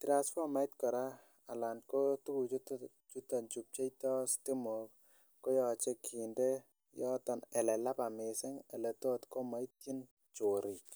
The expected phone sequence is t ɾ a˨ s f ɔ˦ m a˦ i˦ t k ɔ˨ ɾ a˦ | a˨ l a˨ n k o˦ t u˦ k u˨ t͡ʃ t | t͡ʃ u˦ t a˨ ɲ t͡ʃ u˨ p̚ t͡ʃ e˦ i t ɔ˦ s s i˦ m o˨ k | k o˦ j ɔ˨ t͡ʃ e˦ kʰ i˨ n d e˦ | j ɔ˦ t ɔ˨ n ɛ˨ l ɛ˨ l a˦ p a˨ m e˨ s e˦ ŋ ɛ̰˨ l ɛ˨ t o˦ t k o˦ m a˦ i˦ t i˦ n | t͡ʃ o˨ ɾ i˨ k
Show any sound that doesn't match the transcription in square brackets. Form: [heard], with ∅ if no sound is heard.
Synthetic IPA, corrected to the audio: t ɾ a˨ s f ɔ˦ m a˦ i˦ t k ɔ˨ ɾ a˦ | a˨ l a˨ n k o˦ t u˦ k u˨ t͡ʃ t | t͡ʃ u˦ t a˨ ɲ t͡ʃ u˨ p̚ t͡ʃ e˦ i t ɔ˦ s [t] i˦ m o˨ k | k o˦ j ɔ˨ t͡ʃ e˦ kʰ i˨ n d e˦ | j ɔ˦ t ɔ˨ n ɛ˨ l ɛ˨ l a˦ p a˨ m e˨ s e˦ ŋ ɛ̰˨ l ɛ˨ t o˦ t k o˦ m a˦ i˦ t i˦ n | t͡ʃ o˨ ɾ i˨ k